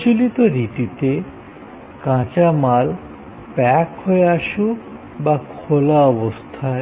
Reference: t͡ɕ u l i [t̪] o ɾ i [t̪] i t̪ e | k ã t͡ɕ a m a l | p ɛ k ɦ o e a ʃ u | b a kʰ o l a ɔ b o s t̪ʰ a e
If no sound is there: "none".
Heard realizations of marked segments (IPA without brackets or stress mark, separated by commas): t̪, t̪